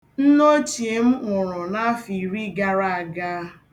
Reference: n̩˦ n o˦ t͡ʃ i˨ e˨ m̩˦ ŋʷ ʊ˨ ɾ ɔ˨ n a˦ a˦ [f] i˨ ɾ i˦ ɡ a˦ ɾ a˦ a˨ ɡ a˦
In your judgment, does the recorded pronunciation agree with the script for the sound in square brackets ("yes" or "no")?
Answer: yes